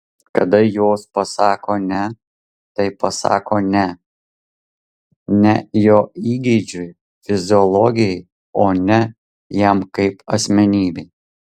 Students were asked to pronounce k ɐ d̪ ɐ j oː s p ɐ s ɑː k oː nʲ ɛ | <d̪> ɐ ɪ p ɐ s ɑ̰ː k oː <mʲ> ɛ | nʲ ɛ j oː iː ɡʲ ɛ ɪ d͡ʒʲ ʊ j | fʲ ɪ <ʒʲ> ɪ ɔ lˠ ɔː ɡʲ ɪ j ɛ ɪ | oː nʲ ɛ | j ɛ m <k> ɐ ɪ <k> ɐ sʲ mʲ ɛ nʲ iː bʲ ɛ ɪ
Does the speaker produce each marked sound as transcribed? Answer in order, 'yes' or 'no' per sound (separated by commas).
no, no, no, yes, no